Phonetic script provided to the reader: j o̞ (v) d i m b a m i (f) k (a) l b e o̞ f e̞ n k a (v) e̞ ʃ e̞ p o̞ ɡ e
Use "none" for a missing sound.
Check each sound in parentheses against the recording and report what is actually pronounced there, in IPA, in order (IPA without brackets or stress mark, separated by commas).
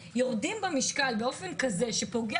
ʁ, ʃ, a, z